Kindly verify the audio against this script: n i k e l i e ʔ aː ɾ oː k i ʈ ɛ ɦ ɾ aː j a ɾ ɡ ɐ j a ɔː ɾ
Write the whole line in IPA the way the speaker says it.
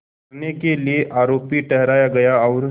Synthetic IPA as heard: n e k e l i e ʔ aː ɾ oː p i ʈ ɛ ɦ ɾ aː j a ɡ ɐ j a ɔː ɾ